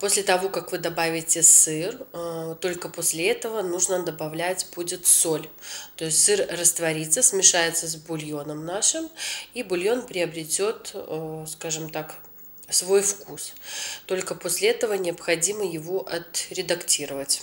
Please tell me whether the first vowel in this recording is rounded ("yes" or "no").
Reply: yes